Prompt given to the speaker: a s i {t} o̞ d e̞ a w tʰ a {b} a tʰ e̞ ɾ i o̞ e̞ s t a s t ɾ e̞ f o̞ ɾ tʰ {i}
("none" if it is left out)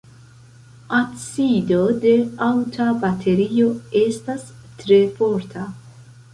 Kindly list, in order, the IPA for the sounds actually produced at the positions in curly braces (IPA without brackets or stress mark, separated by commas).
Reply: d, b, a